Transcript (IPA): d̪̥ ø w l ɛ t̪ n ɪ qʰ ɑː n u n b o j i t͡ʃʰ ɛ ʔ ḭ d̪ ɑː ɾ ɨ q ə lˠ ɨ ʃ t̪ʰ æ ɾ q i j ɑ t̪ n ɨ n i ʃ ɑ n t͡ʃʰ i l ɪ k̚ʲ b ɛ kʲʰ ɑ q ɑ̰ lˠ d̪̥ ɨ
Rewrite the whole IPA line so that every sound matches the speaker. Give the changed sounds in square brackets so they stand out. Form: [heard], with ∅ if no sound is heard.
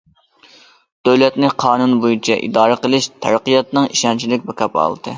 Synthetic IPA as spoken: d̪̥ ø w l ɛ t̪ n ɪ qʰ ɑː n u n b o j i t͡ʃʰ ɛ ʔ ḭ d̪ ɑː ɾ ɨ q ə lˠ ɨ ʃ t̪ʰ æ ɾ q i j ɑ t̪ n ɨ [ŋ] i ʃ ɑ n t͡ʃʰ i l ɪ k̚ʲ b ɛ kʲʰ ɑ [p] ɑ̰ lˠ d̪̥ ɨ